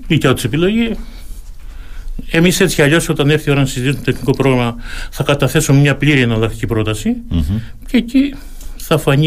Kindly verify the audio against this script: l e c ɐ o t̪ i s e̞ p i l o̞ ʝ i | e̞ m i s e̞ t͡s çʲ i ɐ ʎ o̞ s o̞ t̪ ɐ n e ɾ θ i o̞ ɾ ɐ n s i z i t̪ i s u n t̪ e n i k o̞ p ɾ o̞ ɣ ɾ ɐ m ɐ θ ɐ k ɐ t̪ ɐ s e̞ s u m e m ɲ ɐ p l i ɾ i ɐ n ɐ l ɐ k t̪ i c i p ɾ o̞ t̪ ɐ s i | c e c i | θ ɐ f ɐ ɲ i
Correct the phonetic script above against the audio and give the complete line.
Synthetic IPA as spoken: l i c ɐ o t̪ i s e̞ p i l o̞ ʝ i | e̞ m i s e̞ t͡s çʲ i ɐ ʎ o̞ s o̞ t̪ ɐ n e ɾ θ i o̞ ɾ ɐ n s i z i t̪ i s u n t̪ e n i k o̞ p ɾ o̞ ɣ ɾ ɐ m ɐ θ ɐ k ɐ t̪ ɐ θ e̞ s u m e m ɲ ɐ p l i ɾ i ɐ n ɐ l ɐ k t̪ i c i p ɾ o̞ t̪ ɐ s i | c e c i | θ ɐ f ɐ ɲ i